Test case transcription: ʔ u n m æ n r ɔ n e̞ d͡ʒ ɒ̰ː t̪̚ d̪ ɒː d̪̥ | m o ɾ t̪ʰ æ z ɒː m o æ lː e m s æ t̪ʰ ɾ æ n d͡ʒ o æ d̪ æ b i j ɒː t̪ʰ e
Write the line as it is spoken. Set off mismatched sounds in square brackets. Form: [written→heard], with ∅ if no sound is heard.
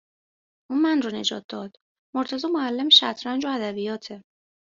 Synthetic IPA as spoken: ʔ u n m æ n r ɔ n e̞ d͡ʒ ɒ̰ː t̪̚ d̪ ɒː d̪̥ | m o ɾ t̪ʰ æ z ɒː m o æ lː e m [s→ʃ] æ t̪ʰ ɾ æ n d͡ʒ o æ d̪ æ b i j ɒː t̪ʰ e